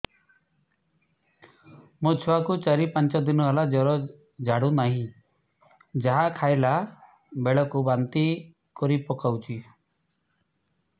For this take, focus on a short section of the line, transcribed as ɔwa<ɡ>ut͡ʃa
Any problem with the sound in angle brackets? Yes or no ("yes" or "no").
yes